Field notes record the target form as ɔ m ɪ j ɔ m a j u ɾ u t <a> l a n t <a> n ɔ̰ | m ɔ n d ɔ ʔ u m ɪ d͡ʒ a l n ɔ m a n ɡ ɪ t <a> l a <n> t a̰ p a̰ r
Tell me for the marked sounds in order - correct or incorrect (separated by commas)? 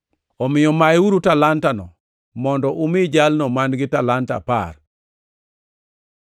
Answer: correct, correct, correct, correct